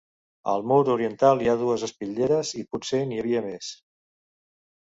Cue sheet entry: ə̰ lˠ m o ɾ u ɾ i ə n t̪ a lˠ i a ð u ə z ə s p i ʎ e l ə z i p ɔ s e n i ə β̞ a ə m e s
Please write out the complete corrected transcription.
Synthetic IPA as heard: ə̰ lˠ m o ɾ u ɾ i ə n t̪ a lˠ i a ð u ə z ə s p i ʎ e ɾ ə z i p u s e n i ə β̞ i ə m e s